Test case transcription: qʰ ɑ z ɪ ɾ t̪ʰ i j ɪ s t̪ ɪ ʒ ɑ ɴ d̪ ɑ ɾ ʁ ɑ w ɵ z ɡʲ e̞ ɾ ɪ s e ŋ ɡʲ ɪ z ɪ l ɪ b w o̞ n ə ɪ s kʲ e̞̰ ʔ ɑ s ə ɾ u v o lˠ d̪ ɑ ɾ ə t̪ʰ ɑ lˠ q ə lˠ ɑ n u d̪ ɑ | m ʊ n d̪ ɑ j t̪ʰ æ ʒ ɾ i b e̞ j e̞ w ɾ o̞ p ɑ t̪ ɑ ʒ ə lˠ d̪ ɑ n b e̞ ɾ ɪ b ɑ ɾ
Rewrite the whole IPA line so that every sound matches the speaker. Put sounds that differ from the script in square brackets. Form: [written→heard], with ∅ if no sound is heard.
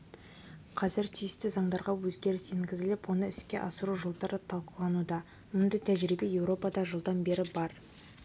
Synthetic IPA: qʰ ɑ z ɪ ɾ t̪ʰ i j ɪ s t̪ ɪ [ʒ→z] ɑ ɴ d̪ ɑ ɾ ʁ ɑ w ɵ z ɡʲ e̞ ɾ ɪ s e ŋ ɡʲ ɪ z ɪ l ɪ [b→p] w o̞ n ə ɪ s kʲ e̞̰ ʔ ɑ s ə ɾ u [v→ʒ] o lˠ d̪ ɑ ɾ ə t̪ʰ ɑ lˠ q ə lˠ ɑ n u d̪ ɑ | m ʊ n d̪ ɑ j t̪ʰ æ ʒ ɾ i b e̞ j e̞ w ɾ o̞ p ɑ [t̪→d̪] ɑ ʒ ə lˠ d̪ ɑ n b e̞ ɾ ɪ b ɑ ɾ